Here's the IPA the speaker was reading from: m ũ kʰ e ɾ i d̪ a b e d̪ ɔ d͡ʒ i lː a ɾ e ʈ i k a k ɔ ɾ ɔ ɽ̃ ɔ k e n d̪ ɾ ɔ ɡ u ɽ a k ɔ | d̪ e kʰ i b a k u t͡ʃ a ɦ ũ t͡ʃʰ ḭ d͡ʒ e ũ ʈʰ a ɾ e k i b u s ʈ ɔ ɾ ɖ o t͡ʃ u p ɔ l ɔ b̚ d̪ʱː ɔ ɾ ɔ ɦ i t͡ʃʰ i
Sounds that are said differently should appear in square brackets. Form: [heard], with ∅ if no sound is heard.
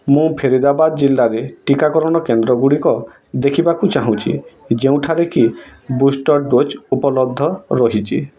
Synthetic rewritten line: m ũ [pʰ] e ɾ i d̪ a b [a] d̪ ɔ d͡ʒ i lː a ɾ e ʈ i k a k ɔ ɾ ɔ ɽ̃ ɔ k e n d̪ ɾ ɔ ɡ u ɽ [i] k ɔ | d̪ e kʰ i b a k u t͡ʃ a ɦ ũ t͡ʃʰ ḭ d͡ʒ e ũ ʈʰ a ɾ e k i b u s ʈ ɔ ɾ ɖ o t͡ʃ u p ɔ l ɔ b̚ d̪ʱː ɔ ɾ ɔ ɦ i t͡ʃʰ i